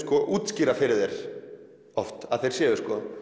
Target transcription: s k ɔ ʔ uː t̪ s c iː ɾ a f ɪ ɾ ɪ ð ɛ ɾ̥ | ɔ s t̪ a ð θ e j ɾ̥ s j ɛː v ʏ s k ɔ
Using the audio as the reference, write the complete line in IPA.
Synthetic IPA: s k ɔ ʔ uː t̪ s c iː ɾ a f ɪ ɾ ɪ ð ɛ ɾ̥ | ɔ f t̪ a ð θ e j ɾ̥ s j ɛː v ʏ s k ɔ